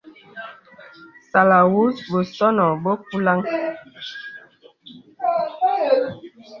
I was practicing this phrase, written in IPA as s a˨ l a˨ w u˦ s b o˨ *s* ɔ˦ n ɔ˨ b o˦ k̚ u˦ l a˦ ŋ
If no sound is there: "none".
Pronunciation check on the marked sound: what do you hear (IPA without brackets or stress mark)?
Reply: s